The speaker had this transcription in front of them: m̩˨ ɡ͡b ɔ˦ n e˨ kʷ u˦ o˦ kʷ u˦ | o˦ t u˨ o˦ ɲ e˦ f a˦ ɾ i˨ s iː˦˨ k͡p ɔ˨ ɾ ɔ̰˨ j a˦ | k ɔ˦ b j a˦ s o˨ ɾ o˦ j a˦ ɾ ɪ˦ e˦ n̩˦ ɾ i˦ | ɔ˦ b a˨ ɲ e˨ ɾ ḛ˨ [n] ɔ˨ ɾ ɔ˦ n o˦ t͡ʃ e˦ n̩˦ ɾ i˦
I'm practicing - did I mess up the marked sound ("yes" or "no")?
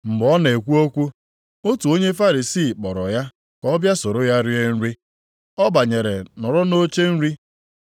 no